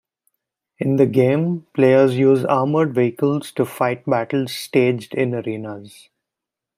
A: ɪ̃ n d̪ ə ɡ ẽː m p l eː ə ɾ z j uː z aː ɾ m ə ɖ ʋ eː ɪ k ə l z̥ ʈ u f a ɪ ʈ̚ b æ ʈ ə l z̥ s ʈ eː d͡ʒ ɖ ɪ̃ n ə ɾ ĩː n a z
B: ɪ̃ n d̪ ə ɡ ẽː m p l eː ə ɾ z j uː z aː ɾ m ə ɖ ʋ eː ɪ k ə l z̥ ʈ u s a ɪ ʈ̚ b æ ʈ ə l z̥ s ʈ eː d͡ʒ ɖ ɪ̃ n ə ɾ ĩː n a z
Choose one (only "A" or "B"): A